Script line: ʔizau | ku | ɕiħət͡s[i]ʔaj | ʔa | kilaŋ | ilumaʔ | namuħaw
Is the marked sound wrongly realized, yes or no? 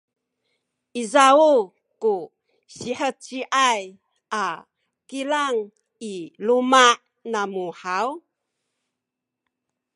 no